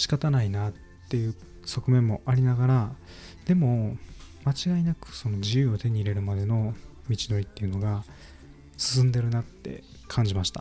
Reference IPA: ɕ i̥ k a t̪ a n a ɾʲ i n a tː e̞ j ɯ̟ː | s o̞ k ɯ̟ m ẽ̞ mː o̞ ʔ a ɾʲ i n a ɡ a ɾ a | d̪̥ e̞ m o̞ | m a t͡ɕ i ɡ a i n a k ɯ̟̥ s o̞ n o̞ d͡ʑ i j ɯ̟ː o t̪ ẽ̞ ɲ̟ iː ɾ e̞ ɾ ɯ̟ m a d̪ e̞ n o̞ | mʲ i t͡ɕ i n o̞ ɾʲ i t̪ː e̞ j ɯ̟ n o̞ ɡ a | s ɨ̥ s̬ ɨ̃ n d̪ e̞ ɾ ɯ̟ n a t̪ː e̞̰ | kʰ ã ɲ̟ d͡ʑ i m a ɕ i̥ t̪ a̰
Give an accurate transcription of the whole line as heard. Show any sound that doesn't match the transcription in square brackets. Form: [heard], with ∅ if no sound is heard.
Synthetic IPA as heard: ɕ i̥ k a t̪ a n a [∅] i n a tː e̞ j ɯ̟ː | s o̞ k ɯ̟ m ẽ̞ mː o̞ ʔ a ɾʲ i n a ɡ a ɾ a | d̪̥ e̞ m o̞ | m a t͡ɕ i ɡ a i n a k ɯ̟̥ s o̞ n o̞ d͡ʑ i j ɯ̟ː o t̪ [e̞] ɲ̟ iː ɾ e̞ ɾ ɯ̟ m a d̪ e̞ n o̞ | mʲ i t͡ɕ i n o̞ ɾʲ i t̪ː e̞ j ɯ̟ n o̞ ɡ a | s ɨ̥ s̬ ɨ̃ n d̪ e̞ ɾ ɯ̟ n a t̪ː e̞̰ | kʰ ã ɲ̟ d͡ʑ i m a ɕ i̥ t̪ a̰